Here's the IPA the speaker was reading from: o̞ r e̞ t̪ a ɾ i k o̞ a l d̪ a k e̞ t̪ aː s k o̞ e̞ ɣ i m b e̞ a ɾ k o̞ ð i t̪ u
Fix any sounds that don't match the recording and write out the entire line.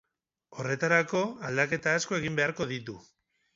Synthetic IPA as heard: o̞ r e̞ t̪ a ɾ a k o̞ a l d̪ a k e̞ t̪ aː s k o̞ e̞ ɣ i m b e̞ a ɾ k o̞ ð i t̪ u